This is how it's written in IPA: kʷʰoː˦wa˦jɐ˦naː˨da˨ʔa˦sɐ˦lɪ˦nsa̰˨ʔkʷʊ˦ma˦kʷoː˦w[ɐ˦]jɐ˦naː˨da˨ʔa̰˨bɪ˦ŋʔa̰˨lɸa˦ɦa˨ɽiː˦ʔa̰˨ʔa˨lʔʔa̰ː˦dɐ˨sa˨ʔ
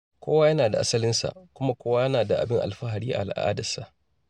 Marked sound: incorrect: a˦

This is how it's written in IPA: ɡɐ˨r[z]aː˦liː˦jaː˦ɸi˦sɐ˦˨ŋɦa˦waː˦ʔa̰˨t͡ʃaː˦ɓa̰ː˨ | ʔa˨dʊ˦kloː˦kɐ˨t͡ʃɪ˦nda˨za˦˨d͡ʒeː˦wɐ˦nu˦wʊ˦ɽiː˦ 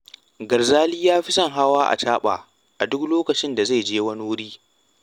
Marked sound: correct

